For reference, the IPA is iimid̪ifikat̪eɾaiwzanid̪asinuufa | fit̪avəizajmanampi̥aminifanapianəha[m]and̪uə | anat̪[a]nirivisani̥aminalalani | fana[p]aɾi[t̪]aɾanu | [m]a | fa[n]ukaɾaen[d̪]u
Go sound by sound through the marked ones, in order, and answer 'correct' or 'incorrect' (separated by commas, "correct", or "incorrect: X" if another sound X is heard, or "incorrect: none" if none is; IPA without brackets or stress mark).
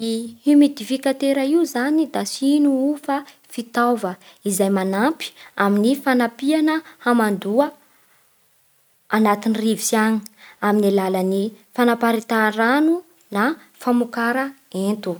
correct, incorrect: i, correct, correct, incorrect: n, incorrect: m, incorrect: t̪